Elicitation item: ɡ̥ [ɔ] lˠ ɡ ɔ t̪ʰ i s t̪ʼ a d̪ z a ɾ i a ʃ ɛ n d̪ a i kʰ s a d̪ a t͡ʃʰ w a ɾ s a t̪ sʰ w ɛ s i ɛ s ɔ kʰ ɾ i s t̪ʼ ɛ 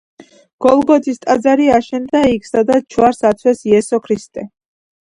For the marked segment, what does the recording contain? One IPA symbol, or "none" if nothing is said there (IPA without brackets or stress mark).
ɔ